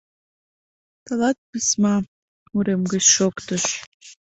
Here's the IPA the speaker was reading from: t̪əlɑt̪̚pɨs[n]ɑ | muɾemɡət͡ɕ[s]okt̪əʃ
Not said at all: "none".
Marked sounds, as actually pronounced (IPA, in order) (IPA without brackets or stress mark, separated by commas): m, ʃ